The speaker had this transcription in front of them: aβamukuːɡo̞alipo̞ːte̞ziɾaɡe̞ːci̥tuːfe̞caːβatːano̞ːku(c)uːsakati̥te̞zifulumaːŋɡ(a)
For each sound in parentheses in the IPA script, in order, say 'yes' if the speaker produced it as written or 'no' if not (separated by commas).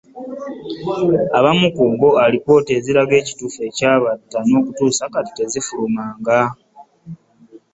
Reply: no, yes